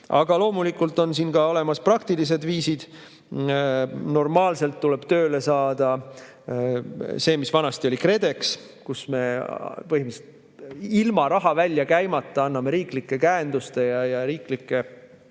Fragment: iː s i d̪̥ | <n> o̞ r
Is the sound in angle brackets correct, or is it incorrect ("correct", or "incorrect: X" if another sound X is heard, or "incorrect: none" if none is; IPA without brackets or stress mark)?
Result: correct